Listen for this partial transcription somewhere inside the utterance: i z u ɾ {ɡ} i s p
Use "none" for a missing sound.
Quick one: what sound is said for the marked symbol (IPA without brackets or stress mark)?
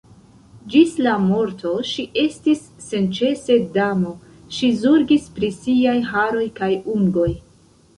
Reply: ɡ